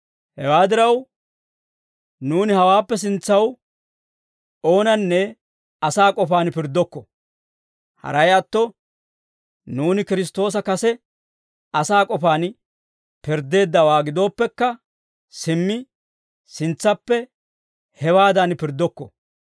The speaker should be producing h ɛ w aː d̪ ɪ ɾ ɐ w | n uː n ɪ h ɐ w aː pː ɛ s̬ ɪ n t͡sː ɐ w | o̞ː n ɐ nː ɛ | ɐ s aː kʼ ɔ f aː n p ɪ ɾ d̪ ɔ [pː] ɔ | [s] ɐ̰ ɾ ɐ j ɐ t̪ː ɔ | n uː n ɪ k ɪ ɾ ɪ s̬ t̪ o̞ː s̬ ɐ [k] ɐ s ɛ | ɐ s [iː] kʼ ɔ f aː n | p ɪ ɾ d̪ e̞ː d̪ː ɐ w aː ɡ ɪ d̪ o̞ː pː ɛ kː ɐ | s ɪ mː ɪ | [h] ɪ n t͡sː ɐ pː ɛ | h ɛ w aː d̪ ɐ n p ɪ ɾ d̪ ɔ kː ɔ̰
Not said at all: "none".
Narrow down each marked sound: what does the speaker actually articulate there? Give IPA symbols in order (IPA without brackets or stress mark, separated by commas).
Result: kː, h, k, aː, s